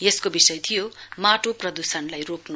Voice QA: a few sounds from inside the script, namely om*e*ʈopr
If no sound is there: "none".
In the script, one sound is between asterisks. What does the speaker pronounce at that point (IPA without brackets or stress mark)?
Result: a